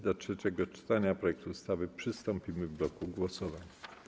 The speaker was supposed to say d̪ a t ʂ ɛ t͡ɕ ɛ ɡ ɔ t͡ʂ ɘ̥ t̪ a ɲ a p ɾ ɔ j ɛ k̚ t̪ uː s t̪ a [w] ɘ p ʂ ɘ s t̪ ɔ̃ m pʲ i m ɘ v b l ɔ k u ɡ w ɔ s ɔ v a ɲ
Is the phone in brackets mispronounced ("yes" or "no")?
yes